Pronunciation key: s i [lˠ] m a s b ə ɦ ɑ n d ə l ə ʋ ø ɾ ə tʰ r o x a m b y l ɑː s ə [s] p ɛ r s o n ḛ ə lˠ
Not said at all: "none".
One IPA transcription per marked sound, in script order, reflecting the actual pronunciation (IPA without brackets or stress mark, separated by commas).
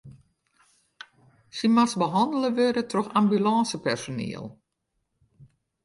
none, none